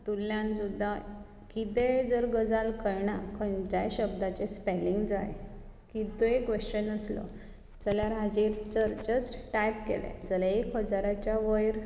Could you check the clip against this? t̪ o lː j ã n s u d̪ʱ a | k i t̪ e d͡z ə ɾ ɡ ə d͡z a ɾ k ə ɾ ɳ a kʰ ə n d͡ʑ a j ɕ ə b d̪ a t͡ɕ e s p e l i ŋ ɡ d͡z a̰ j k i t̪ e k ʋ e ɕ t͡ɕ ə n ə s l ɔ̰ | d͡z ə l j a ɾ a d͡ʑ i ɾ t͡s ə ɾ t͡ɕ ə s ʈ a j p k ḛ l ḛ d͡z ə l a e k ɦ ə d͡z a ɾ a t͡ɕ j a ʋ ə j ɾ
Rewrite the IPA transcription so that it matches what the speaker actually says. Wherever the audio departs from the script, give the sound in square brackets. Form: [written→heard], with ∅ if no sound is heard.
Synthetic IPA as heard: t̪ [o→u] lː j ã n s u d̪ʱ a | k i t̪ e d͡z ə ɾ ɡ ə d͡z a [ɾ→l] k ə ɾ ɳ a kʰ ə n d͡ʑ a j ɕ ə b d̪ a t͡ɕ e s p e l i ŋ ɡ d͡z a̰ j k i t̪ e k ʋ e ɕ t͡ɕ ə n ə s l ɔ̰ | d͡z ə l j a ɾ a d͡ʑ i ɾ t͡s ə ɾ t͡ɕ ə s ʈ a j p k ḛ l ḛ d͡z ə l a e k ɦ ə d͡z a ɾ a t͡ɕ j a ʋ ə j ɾ